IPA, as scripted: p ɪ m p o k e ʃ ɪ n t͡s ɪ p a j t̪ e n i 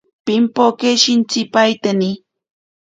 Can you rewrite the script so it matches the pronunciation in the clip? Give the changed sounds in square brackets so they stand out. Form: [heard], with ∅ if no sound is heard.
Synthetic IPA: p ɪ m p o k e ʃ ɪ n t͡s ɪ p a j t̪ [a] n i

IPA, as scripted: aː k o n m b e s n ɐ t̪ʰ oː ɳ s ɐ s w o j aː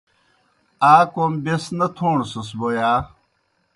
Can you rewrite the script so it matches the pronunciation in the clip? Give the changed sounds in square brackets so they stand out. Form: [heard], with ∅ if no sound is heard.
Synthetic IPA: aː k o [∅] m b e s n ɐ t̪ʰ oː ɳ s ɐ s [b] o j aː

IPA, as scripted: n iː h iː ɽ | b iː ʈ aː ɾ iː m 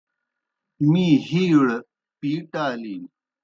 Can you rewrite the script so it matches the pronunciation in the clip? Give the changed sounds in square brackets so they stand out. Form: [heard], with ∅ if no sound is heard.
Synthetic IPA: [m] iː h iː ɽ | [p] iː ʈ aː [l] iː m

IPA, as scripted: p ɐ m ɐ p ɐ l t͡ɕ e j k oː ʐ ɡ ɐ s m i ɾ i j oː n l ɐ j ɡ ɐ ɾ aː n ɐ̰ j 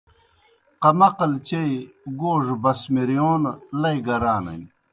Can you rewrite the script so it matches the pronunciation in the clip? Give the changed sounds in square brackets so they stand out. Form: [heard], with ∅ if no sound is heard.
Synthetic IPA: [q] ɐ m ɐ [q] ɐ l t͡ɕ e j [ɡ] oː ʐ [b] ɐ s m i ɾ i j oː n l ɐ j ɡ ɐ ɾ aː n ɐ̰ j

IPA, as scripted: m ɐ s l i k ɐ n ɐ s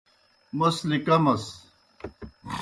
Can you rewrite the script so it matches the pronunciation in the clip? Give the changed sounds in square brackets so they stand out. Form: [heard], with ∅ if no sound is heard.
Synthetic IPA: m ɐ s l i k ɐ [m] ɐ s

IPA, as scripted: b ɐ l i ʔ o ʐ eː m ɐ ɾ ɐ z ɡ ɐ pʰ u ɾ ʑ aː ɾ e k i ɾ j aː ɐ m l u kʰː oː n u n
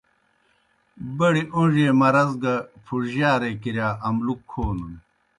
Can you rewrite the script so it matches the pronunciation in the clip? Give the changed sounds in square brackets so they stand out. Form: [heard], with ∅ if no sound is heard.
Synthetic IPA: b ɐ [ɽ] i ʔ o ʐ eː m ɐ ɾ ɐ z ɡ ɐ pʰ u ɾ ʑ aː ɾ e k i ɾ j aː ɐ m l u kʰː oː n u n

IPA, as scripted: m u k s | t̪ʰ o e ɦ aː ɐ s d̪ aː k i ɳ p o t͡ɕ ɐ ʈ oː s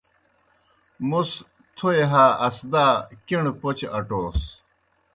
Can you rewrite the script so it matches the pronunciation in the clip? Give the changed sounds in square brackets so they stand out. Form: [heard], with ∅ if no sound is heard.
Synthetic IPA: m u [∅] s | t̪ʰ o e ɦ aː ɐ s d̪ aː k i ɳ p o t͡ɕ ɐ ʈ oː s

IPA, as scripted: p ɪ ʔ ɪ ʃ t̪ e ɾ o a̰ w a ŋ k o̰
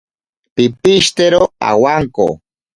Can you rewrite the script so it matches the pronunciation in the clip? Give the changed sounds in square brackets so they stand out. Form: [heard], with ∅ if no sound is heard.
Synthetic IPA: p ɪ [p] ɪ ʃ t̪ e ɾ o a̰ w a ŋ k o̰

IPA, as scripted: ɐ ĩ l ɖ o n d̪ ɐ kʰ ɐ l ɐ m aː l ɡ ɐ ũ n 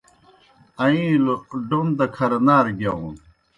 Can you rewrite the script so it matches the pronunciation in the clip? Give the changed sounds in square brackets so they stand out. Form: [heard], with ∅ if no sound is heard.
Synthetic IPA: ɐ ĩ l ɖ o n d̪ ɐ kʰ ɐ [ɾ] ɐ [n] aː [ɾ] ɡ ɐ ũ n

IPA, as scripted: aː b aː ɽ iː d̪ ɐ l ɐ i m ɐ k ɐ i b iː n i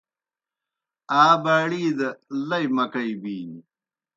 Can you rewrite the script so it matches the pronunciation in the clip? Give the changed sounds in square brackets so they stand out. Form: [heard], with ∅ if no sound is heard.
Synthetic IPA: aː b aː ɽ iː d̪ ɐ l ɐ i m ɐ k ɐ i b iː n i

